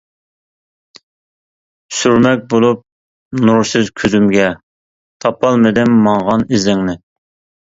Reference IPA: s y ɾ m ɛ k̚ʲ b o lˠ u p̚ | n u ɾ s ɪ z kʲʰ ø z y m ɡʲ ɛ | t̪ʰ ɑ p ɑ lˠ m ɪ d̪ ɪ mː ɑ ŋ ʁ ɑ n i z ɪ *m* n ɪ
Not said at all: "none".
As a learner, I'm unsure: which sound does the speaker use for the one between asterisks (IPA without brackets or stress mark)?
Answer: ŋ